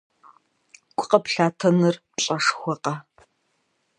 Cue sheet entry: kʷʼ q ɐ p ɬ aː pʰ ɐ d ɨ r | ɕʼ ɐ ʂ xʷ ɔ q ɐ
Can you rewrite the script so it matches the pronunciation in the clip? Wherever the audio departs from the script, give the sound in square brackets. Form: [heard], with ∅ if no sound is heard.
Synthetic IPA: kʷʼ q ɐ p ɬ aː [tʰ] ɐ [n] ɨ r | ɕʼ ɐ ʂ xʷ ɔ q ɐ